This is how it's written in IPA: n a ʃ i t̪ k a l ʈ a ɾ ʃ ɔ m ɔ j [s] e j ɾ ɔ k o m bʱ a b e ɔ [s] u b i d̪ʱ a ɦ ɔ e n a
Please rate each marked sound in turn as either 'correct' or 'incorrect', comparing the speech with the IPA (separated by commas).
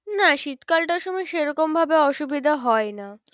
incorrect, incorrect